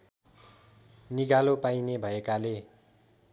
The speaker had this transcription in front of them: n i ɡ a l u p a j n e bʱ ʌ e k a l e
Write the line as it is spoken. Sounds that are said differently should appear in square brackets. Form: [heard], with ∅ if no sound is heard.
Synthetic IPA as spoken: n i ɡ a l [o] p a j n e bʱ ʌ e k a l e